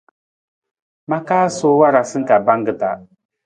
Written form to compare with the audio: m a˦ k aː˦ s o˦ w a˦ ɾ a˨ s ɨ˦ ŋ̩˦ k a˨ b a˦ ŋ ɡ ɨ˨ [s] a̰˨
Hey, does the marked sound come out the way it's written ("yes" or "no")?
no